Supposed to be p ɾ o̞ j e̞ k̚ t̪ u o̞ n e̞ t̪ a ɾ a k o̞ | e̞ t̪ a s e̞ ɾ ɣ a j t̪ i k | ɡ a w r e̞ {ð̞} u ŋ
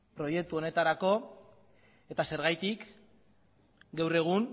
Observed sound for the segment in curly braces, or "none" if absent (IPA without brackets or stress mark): ɣ̞